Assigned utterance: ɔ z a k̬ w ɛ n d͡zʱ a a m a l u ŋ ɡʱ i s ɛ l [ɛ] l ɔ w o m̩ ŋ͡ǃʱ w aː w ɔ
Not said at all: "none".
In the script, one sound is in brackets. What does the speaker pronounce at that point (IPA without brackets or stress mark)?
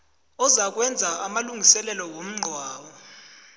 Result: ɛ